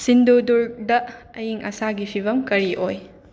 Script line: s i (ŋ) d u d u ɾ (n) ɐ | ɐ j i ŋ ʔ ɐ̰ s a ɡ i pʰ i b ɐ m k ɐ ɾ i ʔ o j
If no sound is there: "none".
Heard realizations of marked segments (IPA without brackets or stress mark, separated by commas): n, d